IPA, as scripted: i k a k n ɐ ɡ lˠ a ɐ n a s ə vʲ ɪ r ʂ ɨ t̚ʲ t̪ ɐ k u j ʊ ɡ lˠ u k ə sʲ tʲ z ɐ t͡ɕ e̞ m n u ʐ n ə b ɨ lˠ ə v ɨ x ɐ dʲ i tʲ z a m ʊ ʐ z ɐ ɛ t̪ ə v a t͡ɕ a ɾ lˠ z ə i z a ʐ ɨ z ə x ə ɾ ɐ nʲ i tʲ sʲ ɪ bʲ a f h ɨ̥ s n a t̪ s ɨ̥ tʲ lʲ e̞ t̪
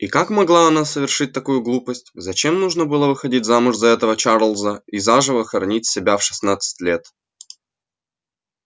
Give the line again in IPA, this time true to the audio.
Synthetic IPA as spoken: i k a k m ɐ ɡ lˠ a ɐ n a s ə vʲ ɪ r ʂ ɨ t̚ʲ t̪ ɐ k u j ʊ ɡ lˠ u p ə sʲ tʲ z ɐ t͡ɕ e̞ m n u ʐ n ə b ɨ lˠ ə v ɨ x ɐ dʲ i tʲ z a m ʊ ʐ z ɐ ɛ t̪ ə v ə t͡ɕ a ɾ lˠ z ə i z a ʐ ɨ v ə x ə ɾ ɐ nʲ i tʲ sʲ ɪ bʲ a f ʂ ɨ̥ s n a t̪ s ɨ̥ tʲ lʲ e̞ t̪